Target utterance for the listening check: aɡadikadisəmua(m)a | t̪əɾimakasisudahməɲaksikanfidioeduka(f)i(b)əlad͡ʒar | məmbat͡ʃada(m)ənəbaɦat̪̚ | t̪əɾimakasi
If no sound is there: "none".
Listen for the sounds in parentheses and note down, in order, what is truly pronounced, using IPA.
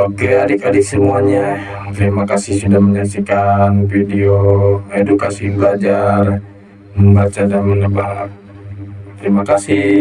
ɲ, s, b, m

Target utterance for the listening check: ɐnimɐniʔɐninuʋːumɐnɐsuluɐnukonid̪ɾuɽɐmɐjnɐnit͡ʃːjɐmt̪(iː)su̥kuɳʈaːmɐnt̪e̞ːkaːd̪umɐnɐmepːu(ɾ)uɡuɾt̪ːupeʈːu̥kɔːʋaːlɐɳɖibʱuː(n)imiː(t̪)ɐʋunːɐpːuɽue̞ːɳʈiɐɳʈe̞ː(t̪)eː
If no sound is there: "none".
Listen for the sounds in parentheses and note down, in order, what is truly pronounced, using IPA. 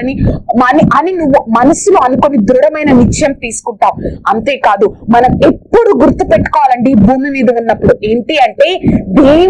iː, ɽ, m, d̪, d̪

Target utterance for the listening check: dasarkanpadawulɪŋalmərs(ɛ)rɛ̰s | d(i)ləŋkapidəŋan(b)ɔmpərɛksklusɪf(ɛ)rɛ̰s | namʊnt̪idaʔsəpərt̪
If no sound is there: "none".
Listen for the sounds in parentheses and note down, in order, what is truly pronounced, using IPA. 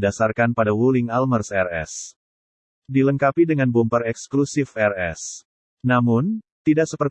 ɛ, i, b, ɛ

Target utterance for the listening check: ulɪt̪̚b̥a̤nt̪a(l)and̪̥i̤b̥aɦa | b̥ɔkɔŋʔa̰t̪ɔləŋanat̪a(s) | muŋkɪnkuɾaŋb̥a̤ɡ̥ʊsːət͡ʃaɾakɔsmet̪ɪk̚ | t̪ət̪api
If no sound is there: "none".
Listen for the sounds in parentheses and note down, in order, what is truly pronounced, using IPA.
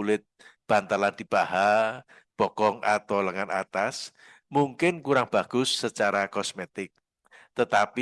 l, s

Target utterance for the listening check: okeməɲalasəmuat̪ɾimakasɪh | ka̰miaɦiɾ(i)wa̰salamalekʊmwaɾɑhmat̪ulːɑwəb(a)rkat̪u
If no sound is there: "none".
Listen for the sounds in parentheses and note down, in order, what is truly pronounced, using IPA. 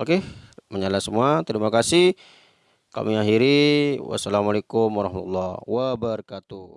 i, ə

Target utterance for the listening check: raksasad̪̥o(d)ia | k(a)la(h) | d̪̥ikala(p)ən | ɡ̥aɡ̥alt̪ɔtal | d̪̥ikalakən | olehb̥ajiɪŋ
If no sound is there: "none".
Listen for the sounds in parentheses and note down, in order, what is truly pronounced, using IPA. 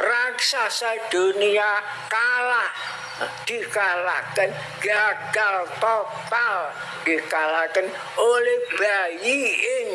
n, a, h, k

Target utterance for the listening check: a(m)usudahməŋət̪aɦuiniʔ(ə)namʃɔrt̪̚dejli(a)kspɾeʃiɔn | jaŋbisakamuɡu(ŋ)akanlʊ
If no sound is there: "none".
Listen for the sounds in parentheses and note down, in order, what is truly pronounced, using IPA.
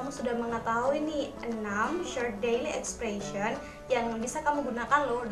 m, ə, ɛ, n

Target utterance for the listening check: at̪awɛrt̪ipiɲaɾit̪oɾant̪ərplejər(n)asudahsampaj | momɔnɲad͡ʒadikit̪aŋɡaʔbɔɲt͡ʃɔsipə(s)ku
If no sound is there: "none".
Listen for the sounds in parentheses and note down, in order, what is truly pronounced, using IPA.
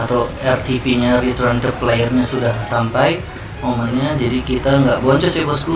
ɲ, s

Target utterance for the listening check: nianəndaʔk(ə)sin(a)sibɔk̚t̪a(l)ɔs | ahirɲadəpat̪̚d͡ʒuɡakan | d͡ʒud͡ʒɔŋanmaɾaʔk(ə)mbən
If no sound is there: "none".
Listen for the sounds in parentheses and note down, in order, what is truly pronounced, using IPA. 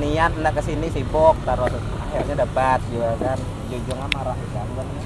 ə, i, ɾ, a

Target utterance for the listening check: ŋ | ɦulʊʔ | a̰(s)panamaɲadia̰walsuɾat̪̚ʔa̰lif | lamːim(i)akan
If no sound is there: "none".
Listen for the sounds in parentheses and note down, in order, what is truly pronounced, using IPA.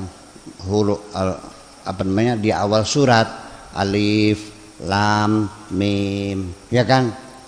none, j

